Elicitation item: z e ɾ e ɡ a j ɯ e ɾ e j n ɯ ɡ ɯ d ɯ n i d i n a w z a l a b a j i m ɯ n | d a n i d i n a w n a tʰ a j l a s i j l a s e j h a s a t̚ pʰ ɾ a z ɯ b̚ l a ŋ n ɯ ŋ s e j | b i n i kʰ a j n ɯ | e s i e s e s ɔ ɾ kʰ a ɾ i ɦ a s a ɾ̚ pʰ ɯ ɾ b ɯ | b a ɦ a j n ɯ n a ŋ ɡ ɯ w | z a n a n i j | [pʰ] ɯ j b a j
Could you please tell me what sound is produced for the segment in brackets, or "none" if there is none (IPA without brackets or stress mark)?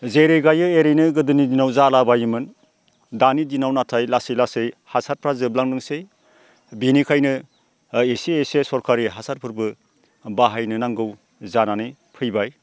pʰ